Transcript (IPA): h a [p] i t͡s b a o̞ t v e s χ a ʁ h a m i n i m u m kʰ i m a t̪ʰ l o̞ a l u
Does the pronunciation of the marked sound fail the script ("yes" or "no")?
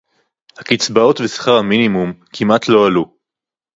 yes